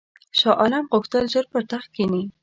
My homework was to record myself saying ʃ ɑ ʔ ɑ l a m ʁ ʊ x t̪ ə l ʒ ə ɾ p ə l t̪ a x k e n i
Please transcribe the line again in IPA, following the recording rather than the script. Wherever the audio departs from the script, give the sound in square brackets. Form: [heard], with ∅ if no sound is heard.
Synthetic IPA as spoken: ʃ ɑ ʔ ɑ l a m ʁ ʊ x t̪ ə l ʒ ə ɾ p ə [ɾ] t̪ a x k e n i